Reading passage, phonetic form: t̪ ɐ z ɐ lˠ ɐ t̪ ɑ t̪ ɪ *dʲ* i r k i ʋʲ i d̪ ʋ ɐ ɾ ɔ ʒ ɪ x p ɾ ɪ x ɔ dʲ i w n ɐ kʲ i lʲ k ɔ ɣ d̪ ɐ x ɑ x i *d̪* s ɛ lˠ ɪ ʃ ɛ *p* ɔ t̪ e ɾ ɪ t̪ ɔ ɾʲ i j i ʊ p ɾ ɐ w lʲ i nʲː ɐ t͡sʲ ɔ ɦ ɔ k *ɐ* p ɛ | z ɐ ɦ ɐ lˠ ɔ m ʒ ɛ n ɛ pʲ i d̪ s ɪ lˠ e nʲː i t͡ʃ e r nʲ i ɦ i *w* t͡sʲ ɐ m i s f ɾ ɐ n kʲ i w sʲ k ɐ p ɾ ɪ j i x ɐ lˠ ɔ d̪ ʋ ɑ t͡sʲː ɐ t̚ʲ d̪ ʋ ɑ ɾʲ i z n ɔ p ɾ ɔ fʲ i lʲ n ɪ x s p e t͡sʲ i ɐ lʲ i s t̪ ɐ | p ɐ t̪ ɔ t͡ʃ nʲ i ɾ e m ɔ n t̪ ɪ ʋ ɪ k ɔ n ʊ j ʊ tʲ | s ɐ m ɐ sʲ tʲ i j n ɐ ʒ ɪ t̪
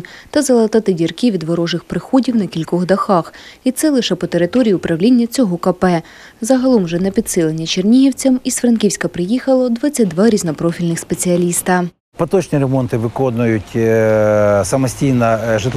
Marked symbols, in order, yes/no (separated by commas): yes, no, yes, yes, yes